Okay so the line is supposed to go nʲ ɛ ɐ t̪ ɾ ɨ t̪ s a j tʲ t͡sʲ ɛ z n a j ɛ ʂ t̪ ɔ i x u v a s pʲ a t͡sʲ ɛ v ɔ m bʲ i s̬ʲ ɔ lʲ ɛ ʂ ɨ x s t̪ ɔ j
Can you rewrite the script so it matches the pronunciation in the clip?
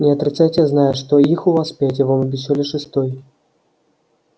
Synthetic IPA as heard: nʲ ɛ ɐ t̪ ɾ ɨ t̪ s a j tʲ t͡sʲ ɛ z n a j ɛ ʂ t̪ ɔ i x u v a s pʲ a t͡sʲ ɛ v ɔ m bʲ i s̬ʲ ɔ lʲ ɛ ʂ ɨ s t̪ ɔ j